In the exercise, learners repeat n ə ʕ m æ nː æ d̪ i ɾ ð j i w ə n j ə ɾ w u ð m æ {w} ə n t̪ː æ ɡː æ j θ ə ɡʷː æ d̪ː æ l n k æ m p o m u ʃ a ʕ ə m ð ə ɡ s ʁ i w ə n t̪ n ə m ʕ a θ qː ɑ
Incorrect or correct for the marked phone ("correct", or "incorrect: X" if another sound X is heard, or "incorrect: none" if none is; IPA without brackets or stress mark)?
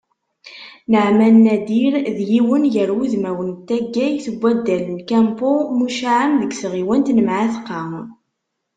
correct